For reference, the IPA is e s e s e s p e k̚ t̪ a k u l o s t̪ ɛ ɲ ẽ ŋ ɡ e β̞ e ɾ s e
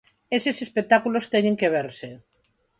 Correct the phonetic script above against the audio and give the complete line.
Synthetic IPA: e s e s e s p e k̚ t̪ a k u l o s t̪ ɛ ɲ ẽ ŋ k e β̞ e ɾ s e